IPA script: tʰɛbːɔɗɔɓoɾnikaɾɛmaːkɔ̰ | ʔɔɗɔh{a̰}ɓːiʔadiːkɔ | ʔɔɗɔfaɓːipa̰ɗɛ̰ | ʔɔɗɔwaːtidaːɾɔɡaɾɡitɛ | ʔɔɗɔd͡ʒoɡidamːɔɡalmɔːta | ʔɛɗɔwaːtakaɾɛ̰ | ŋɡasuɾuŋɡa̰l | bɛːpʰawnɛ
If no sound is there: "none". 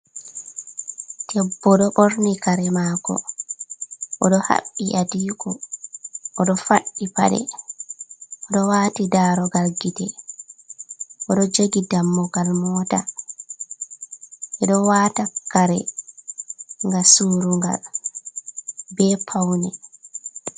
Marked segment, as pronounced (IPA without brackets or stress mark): a̰